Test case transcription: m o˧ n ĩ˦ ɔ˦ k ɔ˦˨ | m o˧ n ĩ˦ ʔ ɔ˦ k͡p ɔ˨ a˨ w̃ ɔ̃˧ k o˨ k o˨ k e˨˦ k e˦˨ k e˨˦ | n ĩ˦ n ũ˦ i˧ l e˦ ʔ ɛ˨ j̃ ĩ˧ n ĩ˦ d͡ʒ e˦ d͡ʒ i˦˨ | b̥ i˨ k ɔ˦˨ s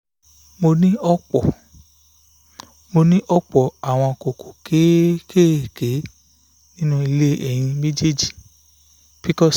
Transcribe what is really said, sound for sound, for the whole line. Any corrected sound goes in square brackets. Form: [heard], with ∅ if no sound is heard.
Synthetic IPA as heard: m o˧ n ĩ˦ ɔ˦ [k͡p] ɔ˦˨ | m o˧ n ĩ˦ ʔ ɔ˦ k͡p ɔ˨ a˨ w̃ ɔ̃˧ k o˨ k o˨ k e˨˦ k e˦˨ k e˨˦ | n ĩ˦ n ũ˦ i˧ l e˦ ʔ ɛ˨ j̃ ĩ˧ [m] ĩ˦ d͡ʒ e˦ d͡ʒ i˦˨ | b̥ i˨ k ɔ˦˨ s